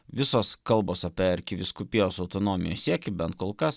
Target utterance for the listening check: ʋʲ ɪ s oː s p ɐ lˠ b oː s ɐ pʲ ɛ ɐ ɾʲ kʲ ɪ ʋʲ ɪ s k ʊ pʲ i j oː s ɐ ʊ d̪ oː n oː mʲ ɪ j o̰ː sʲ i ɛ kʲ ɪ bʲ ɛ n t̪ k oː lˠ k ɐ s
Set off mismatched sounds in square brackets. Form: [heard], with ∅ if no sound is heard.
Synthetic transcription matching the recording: ʋʲ ɪ s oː s [k] ɐ lˠ b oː s ɐ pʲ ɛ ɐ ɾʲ kʲ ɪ ʋʲ ɪ s k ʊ pʲ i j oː s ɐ ʊ [t̪] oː n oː mʲ ɪ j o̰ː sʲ i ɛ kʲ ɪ bʲ ɛ n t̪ k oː lˠ k ɐ s